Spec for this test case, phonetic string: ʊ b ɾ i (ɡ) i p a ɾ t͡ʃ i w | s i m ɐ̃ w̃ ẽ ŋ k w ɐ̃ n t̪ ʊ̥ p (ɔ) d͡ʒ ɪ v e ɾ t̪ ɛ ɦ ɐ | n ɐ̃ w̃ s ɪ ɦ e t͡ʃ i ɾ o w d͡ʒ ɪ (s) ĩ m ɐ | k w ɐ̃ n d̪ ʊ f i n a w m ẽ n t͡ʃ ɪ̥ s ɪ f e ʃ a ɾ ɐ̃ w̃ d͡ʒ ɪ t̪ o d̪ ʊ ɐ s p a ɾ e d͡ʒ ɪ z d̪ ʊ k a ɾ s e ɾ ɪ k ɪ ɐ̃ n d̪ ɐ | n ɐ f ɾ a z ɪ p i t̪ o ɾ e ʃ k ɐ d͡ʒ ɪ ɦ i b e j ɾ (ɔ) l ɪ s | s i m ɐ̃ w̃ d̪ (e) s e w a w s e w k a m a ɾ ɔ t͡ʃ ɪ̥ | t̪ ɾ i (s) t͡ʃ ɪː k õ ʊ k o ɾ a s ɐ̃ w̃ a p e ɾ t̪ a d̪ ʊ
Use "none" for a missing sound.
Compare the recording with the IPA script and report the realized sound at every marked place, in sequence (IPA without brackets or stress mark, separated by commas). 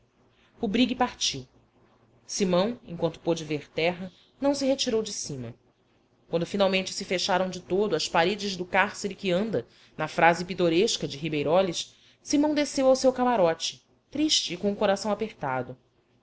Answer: ɡ, o, s, ɔ, e, ʃ